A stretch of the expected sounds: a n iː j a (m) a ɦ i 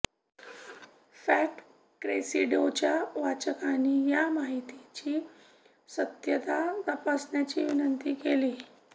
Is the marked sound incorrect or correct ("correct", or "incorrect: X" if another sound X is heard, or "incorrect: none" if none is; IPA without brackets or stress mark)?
correct